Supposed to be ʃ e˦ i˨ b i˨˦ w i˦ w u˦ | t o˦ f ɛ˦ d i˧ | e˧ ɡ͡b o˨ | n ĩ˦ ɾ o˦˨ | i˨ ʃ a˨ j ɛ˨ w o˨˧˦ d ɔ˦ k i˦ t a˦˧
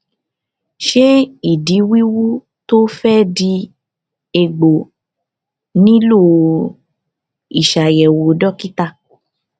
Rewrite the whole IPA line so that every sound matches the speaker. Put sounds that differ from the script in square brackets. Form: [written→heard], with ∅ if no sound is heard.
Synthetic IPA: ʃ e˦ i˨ [b→d] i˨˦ w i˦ w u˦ | t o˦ f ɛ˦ d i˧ | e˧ ɡ͡b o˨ | n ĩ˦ [ɾ→l] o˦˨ | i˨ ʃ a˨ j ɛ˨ w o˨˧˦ d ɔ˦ k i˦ t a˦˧